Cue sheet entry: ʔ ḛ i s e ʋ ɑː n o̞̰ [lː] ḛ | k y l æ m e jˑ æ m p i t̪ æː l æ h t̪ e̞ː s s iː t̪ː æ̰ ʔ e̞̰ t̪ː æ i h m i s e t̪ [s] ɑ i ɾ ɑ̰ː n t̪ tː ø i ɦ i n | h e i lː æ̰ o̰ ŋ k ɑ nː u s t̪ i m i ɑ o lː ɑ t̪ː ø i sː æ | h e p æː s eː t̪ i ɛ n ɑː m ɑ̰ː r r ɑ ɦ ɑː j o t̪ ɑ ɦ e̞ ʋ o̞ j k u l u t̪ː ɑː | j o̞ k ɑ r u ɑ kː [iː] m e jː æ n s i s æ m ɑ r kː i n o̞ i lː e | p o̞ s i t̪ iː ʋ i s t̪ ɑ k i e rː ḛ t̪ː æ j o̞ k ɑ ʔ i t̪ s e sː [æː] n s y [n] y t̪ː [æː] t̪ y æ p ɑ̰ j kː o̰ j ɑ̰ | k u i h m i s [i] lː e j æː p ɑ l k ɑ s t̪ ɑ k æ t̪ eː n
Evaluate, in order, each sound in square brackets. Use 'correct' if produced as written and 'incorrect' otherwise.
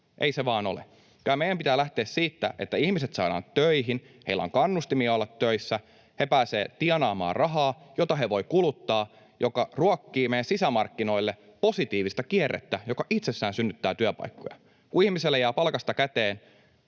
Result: incorrect: l, correct, correct, correct, incorrect: nː, correct, incorrect: e

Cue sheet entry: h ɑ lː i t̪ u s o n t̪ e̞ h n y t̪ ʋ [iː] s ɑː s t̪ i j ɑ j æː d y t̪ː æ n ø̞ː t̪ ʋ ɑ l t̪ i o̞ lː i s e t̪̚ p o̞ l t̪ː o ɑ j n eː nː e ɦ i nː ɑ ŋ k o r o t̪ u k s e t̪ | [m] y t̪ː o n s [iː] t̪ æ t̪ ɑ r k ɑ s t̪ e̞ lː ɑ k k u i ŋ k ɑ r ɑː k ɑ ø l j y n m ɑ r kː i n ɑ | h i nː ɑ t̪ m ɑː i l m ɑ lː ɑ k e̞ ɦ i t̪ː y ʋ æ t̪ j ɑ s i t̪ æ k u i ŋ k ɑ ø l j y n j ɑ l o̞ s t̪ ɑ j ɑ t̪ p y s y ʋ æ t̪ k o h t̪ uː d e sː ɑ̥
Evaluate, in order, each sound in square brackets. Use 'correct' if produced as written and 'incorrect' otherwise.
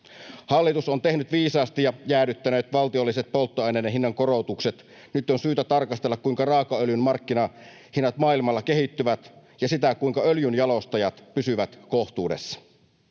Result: correct, incorrect: n, incorrect: yː

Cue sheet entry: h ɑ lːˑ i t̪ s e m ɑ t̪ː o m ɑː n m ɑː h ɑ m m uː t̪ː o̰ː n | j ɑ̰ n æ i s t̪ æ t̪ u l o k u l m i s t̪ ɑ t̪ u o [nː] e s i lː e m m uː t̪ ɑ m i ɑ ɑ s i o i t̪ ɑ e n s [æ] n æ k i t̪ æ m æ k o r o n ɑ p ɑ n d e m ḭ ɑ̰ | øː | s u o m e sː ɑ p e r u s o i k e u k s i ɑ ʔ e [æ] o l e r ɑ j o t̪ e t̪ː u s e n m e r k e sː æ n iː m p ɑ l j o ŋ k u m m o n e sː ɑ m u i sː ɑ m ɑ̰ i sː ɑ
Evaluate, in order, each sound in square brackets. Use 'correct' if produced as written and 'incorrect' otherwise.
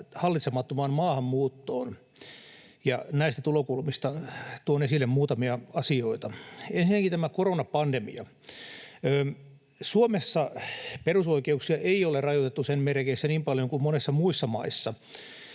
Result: incorrect: n, incorrect: i, incorrect: i

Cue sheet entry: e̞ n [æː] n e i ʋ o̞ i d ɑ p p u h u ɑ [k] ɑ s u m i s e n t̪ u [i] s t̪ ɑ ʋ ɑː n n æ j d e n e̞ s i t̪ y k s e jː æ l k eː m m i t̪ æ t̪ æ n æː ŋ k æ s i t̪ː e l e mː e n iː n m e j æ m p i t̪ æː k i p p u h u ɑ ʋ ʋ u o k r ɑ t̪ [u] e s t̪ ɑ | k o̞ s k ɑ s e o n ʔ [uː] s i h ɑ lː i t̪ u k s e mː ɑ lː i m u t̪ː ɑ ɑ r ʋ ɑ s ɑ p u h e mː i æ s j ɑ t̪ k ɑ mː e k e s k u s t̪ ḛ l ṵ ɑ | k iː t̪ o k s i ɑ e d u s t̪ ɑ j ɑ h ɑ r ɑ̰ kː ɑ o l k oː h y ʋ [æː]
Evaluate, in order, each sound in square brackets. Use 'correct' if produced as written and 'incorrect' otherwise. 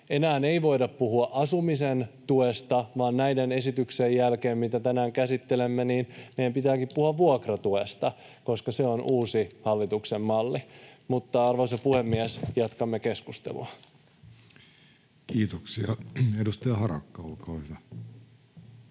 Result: correct, incorrect: ʔ, incorrect: e, correct, correct, incorrect: æ

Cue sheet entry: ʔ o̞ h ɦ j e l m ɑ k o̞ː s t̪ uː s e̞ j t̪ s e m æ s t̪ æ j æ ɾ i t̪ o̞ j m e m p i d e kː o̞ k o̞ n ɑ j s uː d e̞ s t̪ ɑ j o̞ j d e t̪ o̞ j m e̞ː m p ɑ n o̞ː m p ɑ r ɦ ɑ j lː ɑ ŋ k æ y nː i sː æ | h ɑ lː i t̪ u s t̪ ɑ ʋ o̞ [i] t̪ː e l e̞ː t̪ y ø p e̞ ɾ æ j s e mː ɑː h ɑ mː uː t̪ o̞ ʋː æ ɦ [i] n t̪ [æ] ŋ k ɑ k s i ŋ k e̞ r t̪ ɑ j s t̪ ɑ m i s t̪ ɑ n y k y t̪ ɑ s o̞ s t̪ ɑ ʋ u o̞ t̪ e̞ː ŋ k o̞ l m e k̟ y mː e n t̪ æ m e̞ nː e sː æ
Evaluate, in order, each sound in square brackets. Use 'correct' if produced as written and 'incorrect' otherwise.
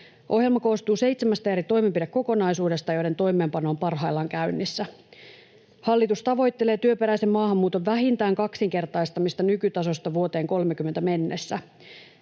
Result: incorrect: j, correct, incorrect: æː

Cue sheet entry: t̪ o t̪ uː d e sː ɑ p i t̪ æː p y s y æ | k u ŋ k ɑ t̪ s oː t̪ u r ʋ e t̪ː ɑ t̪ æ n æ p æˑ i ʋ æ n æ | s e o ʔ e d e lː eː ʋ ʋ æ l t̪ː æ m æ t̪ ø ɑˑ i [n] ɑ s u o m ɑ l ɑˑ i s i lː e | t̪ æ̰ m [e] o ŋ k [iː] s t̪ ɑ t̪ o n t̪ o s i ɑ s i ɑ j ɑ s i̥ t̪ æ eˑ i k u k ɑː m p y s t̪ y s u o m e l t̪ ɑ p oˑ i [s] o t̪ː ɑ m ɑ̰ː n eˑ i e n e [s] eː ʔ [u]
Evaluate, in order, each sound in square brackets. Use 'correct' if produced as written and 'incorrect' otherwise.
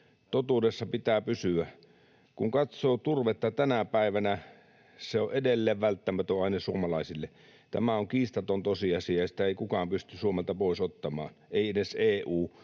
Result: correct, incorrect: æ, correct, correct, correct, incorrect: uː

